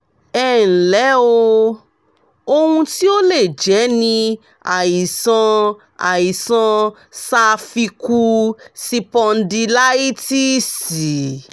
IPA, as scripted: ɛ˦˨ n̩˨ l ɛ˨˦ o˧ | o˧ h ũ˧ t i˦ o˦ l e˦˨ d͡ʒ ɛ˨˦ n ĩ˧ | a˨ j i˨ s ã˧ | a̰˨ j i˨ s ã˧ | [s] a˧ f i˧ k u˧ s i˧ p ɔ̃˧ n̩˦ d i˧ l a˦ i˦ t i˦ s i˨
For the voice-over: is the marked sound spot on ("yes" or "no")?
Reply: yes